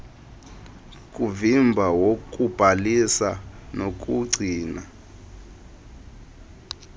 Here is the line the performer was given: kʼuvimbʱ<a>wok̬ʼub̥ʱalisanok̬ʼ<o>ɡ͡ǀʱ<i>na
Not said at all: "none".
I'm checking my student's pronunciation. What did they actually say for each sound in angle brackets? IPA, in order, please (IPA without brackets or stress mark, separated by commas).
a, u, iː